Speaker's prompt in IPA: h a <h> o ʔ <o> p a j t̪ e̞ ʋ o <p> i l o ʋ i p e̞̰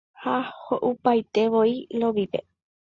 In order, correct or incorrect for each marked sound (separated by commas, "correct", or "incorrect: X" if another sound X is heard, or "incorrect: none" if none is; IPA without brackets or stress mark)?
correct, incorrect: u, incorrect: none